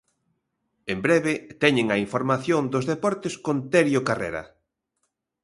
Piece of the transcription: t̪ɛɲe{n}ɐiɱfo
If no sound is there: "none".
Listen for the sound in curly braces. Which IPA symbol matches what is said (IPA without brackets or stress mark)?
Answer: ŋ